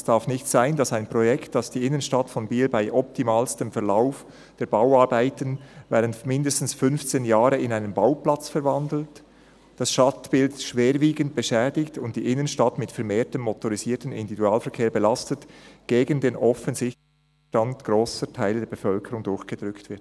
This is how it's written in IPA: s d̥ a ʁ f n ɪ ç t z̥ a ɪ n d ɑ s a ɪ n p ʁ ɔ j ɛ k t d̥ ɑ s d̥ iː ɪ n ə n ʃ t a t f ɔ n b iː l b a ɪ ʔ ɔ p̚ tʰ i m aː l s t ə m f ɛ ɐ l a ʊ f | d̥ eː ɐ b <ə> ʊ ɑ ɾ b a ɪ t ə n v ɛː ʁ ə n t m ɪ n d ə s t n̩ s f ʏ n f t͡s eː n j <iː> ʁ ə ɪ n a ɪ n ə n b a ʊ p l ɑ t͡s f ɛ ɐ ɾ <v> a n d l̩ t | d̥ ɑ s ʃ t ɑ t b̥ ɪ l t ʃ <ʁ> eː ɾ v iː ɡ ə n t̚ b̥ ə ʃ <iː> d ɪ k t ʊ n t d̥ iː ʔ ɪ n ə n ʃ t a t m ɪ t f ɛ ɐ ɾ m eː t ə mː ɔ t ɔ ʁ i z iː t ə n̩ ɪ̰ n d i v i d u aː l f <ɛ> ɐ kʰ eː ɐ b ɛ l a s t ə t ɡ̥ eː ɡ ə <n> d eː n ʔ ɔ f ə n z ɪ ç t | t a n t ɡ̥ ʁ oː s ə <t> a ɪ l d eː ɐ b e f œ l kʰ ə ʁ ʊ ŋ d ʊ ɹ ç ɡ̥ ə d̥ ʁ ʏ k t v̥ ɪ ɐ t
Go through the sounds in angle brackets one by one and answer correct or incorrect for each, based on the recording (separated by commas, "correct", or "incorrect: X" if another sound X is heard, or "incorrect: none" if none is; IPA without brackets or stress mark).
incorrect: a, incorrect: aː, correct, incorrect: v, incorrect: ɛː, correct, correct, incorrect: tʰ